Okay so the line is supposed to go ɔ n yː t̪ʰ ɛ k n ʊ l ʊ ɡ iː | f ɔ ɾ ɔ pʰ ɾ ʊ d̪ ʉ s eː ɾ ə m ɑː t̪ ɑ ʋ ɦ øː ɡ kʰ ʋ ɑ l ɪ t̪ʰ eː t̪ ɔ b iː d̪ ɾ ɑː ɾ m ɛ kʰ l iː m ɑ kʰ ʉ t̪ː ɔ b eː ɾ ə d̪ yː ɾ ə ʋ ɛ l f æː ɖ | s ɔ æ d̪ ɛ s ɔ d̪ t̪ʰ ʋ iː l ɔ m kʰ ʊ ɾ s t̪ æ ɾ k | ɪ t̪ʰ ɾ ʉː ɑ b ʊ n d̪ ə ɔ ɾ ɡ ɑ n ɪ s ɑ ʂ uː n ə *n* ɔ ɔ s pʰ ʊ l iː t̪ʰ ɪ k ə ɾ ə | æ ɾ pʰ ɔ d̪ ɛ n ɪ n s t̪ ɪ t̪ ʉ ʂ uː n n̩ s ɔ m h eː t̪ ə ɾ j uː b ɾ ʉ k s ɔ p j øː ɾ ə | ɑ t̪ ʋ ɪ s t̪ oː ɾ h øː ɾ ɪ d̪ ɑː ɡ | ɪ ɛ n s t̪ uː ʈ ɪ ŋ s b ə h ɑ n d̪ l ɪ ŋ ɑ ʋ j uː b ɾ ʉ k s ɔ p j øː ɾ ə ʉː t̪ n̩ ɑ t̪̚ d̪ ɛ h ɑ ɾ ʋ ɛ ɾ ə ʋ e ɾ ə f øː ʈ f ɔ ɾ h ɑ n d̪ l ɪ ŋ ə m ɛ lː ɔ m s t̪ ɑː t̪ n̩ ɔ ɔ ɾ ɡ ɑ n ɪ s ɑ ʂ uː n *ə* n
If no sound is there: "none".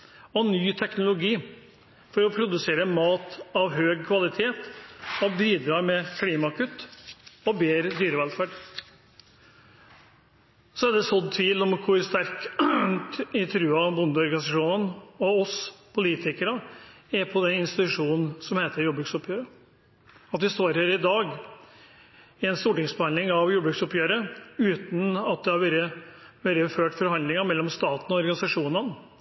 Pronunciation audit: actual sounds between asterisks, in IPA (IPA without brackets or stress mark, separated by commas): n, ə